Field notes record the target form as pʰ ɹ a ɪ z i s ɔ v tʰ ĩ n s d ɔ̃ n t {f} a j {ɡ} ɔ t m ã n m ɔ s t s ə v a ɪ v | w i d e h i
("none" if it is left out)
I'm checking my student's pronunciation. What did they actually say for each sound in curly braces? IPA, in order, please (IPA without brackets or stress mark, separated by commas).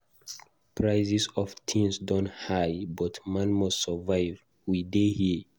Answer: h, b